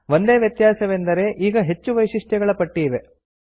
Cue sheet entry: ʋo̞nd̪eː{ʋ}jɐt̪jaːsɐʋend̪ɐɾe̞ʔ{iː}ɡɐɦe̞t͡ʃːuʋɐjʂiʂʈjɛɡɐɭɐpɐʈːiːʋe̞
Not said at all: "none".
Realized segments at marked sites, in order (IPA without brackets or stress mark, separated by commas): ʋ, iː